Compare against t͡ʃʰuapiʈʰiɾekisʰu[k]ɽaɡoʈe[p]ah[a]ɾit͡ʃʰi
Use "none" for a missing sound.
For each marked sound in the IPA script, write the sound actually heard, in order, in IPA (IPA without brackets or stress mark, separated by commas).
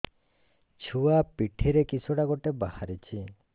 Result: none, b, a